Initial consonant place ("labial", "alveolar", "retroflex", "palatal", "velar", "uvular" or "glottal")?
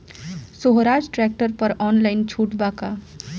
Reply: alveolar